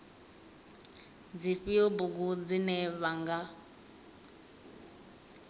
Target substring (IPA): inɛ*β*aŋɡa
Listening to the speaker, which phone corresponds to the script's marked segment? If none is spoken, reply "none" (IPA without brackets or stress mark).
β